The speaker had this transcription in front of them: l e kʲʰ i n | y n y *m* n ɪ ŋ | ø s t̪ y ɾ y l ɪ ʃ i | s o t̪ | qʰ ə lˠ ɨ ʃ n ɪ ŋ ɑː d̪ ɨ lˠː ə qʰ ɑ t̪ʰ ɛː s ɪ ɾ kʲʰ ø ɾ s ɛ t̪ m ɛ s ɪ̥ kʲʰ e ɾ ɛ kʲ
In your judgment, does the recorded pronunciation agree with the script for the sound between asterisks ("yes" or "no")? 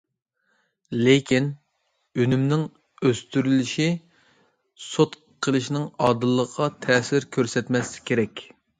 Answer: yes